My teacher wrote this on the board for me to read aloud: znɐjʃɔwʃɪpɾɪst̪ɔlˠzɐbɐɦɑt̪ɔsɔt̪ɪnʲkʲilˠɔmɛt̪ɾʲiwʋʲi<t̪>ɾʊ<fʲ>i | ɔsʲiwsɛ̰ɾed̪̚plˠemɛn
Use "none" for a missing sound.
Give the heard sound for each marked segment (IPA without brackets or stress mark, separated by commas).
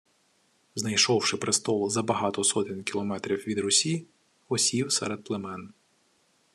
d̪, sʲ